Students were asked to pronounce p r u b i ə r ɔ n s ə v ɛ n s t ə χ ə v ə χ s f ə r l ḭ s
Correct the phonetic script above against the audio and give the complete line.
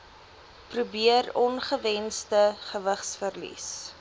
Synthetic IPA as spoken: p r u b i ə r ɔ n χ ə v ɛ n s t ə χ ə v ə χ s f ə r l ḭ s